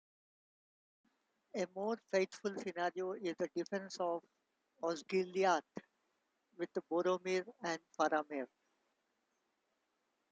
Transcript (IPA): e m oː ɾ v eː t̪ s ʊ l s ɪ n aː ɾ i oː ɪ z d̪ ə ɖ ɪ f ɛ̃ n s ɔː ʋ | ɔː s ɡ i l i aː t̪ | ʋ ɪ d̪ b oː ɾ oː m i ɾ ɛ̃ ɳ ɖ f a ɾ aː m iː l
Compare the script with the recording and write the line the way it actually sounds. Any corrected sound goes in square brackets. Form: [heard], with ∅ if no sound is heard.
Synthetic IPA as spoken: e m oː ɾ [f] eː t̪ [f] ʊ l s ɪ n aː ɾ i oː ɪ z d̪ ə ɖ ɪ f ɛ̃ n s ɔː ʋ | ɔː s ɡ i l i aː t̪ | ʋ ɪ d̪ b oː ɾ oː m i ɾ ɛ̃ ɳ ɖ f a ɾ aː m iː [ɾ]